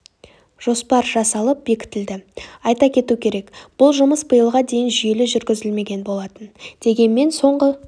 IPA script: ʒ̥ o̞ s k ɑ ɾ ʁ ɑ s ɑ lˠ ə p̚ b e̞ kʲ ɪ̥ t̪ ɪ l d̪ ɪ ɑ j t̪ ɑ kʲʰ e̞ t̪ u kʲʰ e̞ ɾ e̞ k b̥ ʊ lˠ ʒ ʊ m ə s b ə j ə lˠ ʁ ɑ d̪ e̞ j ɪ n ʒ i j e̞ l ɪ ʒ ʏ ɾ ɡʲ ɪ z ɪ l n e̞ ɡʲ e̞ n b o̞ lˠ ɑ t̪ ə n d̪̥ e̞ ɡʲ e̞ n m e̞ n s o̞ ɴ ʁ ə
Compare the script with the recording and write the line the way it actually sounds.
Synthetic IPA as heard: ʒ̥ o̞ s p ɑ ɾ ʒ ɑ s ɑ lˠ ə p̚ b e̞ kʲ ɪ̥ t̪ ɪ l d̪ ɪ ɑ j t̪ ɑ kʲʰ e̞ t̪ u kʲʰ e̞ ɾ e̞ k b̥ ʊ lˠ ʒ ʊ m ə s b ə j ə lˠ ʁ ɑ d̪ e̞ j ɪ n ʒ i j e̞ l ɪ ʒ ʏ ɾ ɡʲ ɪ z ɪ l m e̞ ɡʲ e̞ n b o̞ lˠ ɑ t̪ ə n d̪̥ e̞ ɡʲ e̞ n m e̞ n s o̞ ɴ ʁ ə